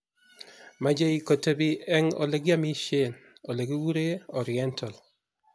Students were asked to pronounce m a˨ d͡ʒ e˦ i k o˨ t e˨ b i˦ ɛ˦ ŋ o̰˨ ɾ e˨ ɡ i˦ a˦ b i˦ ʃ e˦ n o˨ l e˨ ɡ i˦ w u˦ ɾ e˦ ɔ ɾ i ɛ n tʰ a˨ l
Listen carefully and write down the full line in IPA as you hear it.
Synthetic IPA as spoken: m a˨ d͡ʒ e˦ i k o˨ t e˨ b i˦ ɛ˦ ŋ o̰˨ l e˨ ɡ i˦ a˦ m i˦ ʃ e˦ n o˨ l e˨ ɡ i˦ w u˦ ɾ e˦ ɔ ɾ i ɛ n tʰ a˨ l